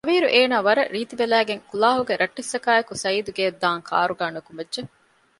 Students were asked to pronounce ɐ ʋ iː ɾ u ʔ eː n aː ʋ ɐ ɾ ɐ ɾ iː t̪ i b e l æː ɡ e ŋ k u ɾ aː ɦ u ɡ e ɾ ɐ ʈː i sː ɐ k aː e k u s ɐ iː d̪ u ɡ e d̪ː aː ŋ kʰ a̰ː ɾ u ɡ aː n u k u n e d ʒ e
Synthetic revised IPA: ɐ ʋ iː ɾ u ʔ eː n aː ʋ ɐ ɾ ɐ ɾ iː t̪ i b e l æː ɡ e ŋ k u l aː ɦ u ɡ e ɾ ɐ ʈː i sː ɐ k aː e k u s ɐ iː d̪ u ɡ e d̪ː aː ŋ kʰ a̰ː ɾ u ɡ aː n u k u m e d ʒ e